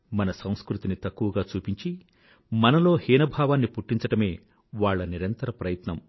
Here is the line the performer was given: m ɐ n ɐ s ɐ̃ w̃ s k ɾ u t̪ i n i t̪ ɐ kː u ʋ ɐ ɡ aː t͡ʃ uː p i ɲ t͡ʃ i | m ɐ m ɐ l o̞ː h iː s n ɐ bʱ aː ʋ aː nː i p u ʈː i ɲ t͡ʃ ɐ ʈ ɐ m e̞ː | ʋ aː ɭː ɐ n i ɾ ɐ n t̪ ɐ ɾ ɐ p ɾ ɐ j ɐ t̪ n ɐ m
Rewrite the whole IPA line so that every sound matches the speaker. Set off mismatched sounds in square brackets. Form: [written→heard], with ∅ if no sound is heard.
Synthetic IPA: m ɐ n ɐ s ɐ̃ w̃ s k ɾ u t̪ i n i t̪ ɐ kː u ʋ ɐ ɡ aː t͡ʃ uː p i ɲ t͡ʃ i | m ɐ [m→n] ɐ l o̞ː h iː [s→∅] n ɐ bʱ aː ʋ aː nː i p u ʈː i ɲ t͡ʃ ɐ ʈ ɐ m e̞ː | ʋ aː ɭː ɐ n i ɾ ɐ n t̪ ɐ ɾ ɐ p ɾ ɐ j ɐ t̪ n ɐ m